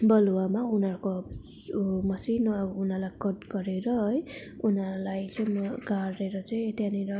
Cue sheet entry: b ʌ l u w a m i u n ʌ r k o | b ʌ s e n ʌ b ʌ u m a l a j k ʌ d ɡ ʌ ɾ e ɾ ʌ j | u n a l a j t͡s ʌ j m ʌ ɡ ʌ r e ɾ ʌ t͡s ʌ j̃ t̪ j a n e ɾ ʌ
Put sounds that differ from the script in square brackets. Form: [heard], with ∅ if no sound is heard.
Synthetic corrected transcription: b ʌ l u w a m [a] u n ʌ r k o | [m] ʌ s [i] n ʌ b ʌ u [n] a l a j k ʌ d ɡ ʌ ɾ e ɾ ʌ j | u n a l a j t͡s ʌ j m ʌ ɡ [a] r e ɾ ʌ t͡s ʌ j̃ t̪ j a n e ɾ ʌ